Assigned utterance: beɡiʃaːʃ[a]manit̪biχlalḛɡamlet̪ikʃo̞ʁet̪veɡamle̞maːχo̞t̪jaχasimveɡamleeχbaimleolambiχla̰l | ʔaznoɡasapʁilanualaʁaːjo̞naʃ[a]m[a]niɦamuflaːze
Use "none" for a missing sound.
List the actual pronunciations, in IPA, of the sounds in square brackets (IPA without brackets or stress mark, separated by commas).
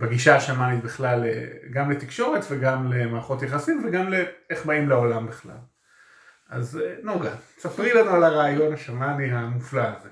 a, a, a